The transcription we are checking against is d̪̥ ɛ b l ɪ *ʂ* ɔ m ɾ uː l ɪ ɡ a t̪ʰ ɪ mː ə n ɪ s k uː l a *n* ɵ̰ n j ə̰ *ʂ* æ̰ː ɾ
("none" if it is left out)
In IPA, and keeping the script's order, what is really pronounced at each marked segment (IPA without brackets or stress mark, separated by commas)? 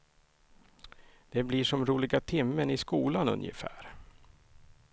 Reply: ʂ, n, f